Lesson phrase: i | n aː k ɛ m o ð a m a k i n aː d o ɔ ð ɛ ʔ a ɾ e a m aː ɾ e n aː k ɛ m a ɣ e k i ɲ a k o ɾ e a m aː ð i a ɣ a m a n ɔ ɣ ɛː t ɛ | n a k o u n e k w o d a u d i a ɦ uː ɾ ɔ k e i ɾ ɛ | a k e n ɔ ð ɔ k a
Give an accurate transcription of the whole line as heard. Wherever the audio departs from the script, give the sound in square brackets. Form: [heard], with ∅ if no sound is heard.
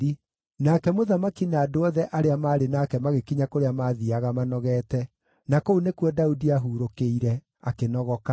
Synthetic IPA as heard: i | n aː k ɛ m o ð a m a k i n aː d o ɔ ð ɛ ʔ a ɾ e a m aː ɾ e n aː k ɛ m a ɣ e k i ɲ a k o ɾ e a m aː ð i a ɣ a m a n ɔ ɣ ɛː t ɛ | n a k o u n e k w [ɔ] d a u d i a ɦ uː ɾ [o] k e i ɾ ɛ | a k e n ɔ [ɣ] ɔ k a